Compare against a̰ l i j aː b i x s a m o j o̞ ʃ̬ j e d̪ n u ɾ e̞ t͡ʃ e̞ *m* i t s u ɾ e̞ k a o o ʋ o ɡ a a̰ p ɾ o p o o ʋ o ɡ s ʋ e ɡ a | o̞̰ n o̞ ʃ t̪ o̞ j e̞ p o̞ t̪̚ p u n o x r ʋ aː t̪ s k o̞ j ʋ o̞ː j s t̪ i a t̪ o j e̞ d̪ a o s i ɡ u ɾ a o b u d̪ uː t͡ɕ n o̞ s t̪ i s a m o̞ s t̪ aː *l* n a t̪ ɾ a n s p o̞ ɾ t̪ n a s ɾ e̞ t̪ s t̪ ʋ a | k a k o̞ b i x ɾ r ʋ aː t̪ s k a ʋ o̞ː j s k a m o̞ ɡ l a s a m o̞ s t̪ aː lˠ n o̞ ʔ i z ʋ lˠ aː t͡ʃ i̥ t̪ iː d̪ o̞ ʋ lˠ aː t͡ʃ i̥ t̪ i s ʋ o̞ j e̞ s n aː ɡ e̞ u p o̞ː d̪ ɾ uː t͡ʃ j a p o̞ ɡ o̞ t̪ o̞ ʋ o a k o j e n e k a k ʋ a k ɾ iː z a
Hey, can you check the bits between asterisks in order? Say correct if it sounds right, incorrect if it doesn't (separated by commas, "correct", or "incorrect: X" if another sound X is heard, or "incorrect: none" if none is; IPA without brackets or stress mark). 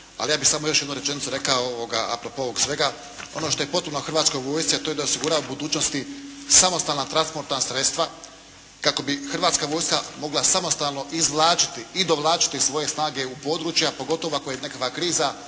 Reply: incorrect: n, correct